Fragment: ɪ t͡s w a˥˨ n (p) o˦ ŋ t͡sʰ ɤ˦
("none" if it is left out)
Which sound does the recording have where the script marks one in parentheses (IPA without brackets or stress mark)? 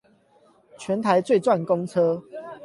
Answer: k